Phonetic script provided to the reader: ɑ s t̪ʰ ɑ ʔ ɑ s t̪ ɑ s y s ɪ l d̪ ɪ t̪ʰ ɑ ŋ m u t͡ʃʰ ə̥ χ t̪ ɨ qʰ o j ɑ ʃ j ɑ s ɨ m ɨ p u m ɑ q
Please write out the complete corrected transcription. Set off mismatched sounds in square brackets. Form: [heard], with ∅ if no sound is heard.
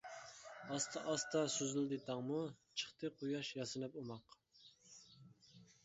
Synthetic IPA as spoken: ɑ s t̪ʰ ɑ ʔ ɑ s t̪ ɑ s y [z] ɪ l d̪ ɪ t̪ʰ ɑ ŋ m u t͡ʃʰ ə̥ χ t̪ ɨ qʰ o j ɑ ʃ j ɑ s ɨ [n] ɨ p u m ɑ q